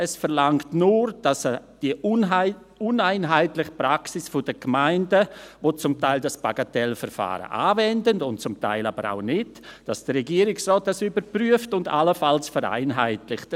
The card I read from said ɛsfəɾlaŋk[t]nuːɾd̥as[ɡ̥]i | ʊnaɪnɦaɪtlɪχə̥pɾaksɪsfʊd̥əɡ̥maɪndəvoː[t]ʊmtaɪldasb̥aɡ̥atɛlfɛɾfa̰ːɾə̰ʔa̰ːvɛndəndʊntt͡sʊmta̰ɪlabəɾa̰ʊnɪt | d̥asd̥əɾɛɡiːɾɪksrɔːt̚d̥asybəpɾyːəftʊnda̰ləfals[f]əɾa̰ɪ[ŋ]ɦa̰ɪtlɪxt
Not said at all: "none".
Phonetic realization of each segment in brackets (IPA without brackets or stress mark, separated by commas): t, d̥, t͡s, f, n